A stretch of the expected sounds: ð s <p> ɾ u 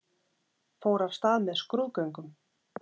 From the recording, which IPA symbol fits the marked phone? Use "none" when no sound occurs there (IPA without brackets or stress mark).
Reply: k